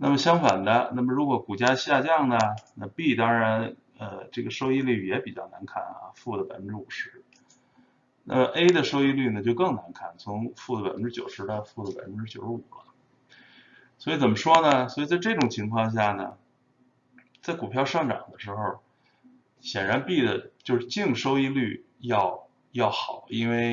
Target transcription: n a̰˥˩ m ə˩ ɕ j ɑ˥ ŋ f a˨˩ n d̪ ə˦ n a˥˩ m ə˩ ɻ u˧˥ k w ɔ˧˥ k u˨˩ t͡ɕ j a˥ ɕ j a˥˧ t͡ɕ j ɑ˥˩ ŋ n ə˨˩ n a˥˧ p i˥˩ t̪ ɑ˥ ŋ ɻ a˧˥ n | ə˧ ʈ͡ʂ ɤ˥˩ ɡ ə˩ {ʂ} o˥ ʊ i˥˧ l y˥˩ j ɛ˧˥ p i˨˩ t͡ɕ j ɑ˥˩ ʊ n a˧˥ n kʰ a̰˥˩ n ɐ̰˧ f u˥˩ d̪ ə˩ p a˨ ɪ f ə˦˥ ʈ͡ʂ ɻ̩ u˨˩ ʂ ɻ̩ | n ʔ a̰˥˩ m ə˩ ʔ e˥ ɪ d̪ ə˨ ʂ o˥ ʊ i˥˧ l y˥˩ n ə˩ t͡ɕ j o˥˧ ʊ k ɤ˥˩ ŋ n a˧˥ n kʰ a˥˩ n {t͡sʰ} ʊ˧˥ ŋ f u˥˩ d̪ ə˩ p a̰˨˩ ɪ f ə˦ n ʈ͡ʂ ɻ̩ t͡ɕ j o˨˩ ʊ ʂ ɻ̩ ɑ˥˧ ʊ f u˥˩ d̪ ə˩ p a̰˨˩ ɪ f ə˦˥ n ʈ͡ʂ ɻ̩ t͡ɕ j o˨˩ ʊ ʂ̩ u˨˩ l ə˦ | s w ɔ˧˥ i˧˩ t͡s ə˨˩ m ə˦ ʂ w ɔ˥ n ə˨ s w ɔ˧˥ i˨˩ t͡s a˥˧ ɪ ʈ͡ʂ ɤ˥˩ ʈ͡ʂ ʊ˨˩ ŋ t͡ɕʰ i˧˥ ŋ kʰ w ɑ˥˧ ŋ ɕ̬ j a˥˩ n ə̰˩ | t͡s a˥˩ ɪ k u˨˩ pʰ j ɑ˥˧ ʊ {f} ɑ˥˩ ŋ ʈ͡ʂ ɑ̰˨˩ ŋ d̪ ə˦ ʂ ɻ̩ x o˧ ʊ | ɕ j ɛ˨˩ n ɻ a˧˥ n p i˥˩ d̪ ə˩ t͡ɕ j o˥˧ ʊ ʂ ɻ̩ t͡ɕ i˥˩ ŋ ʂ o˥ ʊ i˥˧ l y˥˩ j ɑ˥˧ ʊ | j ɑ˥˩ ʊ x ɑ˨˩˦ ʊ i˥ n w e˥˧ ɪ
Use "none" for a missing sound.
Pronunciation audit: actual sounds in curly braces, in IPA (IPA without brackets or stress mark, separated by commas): ʂ, t͡sʰ, ʂ